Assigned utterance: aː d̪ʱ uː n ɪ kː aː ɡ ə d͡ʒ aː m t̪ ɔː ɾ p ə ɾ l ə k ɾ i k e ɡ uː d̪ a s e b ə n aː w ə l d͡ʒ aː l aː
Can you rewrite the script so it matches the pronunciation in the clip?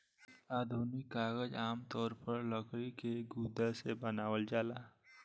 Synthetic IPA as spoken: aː d̪ʱ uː n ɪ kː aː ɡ ə d͡ʒ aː m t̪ ɔː ɾ p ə ɾ l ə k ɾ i k e ɡ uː d̪ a s e b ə n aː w ə l d͡ʒ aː l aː